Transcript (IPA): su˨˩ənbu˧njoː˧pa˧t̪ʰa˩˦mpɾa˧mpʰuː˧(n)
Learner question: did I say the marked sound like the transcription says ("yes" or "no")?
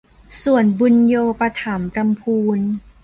yes